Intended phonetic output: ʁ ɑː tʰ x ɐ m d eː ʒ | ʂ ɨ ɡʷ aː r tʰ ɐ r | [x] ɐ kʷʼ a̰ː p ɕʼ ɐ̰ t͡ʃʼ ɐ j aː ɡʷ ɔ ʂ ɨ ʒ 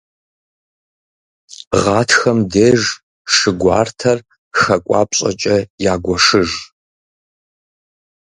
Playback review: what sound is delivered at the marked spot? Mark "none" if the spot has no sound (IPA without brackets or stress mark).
x